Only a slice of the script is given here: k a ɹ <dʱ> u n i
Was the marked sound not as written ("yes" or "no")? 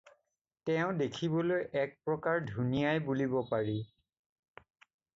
no